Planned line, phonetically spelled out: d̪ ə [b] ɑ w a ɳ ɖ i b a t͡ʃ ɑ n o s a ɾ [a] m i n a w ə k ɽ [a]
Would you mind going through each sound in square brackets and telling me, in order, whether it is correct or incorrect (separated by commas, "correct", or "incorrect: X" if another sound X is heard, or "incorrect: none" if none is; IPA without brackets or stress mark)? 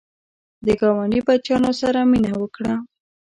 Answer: incorrect: ɡ, correct, correct